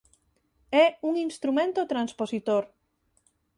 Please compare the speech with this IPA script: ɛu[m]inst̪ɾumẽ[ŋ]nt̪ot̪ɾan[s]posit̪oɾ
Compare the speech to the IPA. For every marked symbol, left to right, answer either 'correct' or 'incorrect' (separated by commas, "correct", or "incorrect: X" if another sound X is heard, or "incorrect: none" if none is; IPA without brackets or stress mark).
incorrect: ŋ, incorrect: none, correct